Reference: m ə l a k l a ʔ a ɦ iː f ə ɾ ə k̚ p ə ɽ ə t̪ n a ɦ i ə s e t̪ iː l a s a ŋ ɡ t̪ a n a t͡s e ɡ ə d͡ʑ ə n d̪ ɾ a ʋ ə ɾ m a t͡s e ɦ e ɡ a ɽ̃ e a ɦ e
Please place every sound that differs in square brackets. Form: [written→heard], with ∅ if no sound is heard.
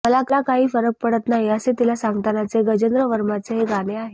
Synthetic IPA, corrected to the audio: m ə l a k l a [ʔ→k] a ɦ iː f ə ɾ ə k̚ p ə ɽ ə t̪ n a ɦ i ə s e t̪ [iː→i] l a s a ŋ ɡ t̪ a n a t͡s e ɡ ə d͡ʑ ə n d̪ ɾ [a→ə] ʋ ə ɾ m a t͡s e ɦ e ɡ a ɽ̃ e a ɦ e